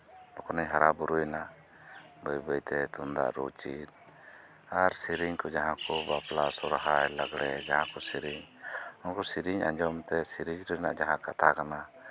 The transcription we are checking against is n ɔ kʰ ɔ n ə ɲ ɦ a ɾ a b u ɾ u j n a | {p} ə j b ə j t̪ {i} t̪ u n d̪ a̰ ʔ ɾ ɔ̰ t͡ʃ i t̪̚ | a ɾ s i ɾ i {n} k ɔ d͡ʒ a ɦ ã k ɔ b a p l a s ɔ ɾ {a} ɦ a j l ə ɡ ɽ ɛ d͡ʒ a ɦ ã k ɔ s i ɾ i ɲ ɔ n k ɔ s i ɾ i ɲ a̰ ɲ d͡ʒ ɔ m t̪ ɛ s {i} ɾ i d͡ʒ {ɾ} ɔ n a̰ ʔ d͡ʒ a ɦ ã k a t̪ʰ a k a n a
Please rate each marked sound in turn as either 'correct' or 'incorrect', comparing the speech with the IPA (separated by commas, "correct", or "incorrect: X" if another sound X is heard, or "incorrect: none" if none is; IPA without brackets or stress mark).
incorrect: b, incorrect: ɛ, incorrect: ɲ, correct, correct, correct